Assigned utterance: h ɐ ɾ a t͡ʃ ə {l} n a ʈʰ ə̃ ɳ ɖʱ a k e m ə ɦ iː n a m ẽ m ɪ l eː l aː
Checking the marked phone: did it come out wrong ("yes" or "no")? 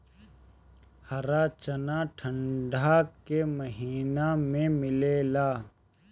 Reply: yes